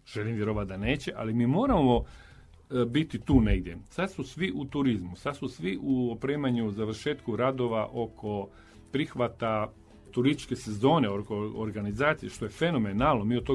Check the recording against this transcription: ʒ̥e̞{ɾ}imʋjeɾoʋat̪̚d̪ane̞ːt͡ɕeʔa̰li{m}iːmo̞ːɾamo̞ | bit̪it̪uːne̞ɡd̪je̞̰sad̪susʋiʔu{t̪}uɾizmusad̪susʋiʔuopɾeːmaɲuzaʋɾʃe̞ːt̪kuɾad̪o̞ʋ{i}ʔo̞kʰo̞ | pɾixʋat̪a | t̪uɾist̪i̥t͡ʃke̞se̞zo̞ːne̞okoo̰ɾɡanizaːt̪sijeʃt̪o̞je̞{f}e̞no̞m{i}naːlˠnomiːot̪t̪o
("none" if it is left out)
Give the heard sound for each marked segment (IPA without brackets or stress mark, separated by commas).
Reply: l, m, t̪, a, f, e